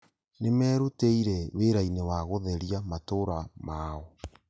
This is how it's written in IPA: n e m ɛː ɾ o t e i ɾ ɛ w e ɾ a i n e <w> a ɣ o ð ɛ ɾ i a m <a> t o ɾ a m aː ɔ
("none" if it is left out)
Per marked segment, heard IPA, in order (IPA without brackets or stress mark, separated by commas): w, a